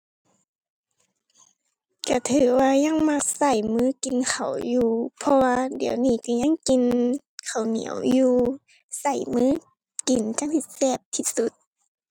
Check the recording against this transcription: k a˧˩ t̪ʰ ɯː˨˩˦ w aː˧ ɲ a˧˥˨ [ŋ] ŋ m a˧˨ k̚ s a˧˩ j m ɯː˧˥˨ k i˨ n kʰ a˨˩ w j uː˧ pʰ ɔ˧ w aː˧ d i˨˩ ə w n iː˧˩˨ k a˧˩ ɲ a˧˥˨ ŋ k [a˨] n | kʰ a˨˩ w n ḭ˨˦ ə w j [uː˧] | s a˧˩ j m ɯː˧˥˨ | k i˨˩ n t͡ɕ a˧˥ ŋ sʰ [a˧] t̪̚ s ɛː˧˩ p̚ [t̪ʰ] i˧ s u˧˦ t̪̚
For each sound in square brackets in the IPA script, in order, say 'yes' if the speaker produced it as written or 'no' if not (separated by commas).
yes, no, yes, no, yes